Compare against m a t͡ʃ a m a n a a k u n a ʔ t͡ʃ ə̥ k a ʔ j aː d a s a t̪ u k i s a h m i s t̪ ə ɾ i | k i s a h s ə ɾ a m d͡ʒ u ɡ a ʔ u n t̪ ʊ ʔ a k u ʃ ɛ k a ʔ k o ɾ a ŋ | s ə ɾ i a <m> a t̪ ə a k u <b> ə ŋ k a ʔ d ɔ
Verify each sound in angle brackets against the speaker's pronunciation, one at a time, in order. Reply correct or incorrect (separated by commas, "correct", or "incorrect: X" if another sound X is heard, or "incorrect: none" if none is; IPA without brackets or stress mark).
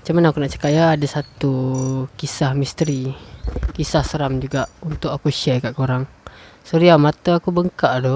correct, correct